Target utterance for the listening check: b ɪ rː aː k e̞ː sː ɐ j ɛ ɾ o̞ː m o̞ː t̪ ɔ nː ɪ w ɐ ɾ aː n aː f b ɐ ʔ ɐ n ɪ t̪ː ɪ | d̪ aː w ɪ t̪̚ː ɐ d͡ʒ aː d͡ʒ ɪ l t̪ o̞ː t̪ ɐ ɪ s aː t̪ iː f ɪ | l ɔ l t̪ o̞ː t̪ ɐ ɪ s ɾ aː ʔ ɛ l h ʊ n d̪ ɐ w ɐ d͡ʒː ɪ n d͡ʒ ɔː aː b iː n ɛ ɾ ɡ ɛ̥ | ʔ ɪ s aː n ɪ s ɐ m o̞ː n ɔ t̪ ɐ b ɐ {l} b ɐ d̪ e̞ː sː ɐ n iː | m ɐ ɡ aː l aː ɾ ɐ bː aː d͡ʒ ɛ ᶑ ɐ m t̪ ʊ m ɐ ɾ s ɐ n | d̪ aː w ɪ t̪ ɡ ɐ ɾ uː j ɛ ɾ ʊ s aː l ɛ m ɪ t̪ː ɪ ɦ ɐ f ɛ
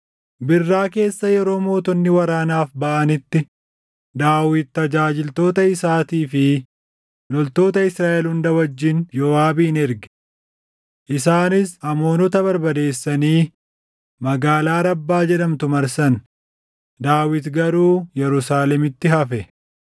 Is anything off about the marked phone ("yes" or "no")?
yes